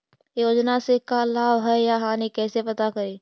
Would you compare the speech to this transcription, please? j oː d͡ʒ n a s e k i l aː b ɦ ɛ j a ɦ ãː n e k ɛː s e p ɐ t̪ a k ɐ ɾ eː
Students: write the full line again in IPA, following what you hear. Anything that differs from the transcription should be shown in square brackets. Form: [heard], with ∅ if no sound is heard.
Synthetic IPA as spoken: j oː d͡ʒ n a s e k [a] l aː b ɦ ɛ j a ɦ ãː n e k ɛː s e p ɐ t̪ a k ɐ ɾ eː